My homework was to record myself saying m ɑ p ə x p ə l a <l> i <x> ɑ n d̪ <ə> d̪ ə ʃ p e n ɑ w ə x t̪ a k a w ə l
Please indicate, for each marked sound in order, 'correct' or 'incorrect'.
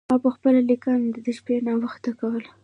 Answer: correct, incorrect: k, correct

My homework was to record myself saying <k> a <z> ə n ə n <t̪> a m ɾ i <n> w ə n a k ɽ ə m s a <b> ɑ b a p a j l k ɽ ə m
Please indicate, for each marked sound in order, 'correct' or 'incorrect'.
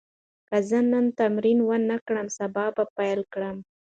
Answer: correct, correct, correct, correct, correct

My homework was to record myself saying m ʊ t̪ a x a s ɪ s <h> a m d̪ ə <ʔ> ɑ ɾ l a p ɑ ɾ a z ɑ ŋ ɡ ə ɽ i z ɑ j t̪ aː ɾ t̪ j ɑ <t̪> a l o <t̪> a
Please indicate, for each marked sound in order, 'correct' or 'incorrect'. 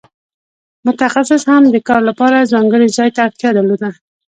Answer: correct, incorrect: k, incorrect: d̪, incorrect: d̪

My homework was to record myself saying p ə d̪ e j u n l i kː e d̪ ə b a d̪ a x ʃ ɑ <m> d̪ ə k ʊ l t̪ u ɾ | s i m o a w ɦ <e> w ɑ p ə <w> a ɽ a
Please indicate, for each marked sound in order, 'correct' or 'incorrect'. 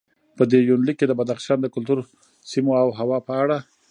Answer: incorrect: n, incorrect: a, incorrect: none

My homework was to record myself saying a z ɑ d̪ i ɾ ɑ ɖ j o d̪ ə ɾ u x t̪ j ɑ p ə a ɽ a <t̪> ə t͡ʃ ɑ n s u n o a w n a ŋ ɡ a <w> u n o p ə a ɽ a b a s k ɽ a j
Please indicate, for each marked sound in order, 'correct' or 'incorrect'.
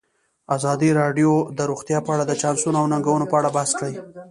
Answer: incorrect: d̪, correct

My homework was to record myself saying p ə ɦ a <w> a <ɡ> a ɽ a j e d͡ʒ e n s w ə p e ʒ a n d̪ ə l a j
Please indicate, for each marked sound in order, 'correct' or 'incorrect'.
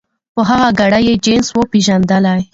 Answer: incorrect: ɣ, correct

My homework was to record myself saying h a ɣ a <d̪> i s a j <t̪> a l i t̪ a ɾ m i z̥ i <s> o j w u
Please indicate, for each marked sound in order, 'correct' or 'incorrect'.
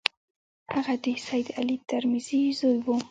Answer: correct, incorrect: d̪, incorrect: z

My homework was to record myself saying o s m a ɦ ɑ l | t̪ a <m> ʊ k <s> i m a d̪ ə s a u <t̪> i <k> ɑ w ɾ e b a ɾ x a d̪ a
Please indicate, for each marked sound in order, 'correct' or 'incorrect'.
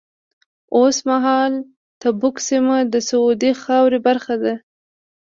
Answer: incorrect: b, correct, incorrect: d̪, incorrect: x

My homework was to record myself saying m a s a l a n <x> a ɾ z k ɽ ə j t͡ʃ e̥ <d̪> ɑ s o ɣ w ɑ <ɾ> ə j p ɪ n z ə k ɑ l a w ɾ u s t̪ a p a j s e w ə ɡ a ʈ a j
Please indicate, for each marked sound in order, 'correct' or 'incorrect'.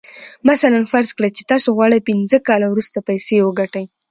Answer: incorrect: f, incorrect: t̪, incorrect: ɽ

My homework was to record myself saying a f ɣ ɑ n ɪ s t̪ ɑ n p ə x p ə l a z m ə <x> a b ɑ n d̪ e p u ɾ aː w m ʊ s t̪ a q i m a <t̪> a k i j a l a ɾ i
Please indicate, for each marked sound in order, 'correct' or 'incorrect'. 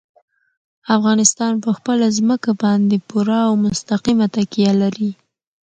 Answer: incorrect: k, correct

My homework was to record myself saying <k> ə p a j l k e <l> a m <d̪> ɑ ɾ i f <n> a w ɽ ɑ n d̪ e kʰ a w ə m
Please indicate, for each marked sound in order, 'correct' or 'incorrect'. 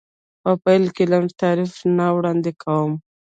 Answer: incorrect: p, correct, incorrect: t̪, correct

